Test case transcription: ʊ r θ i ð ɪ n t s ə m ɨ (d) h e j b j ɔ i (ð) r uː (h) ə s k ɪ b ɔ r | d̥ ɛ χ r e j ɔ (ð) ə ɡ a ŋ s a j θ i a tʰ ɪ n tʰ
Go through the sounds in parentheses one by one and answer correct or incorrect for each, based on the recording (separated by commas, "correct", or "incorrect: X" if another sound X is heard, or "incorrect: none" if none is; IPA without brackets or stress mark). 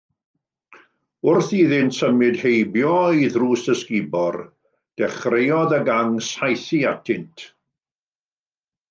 correct, correct, incorrect: s, correct